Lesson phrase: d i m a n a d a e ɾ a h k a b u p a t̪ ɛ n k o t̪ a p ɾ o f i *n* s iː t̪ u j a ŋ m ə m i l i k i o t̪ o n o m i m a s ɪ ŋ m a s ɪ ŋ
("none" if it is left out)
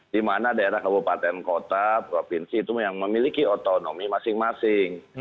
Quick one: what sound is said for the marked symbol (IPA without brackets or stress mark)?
n